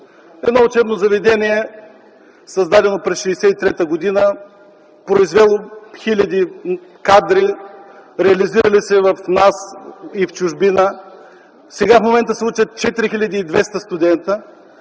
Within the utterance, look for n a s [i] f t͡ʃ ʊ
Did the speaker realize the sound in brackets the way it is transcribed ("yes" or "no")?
yes